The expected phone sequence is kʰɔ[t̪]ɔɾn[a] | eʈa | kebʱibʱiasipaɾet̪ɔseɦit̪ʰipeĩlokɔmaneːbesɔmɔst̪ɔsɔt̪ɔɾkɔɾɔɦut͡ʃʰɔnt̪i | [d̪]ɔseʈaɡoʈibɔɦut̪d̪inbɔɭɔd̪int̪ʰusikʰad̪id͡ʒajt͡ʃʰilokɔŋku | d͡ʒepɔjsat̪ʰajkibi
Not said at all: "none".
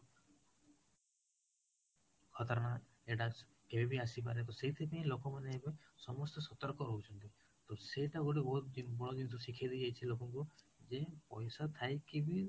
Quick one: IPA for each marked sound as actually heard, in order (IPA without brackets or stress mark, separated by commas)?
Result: t̪, a, t̪